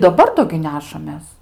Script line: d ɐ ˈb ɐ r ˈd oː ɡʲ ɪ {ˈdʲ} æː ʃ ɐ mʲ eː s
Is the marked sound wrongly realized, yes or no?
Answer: yes